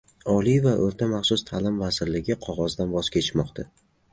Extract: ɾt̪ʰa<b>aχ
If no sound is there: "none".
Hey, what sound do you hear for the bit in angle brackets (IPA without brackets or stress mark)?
m